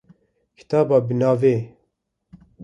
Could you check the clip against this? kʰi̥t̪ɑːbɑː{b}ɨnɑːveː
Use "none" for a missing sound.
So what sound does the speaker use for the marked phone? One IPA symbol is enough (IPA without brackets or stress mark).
b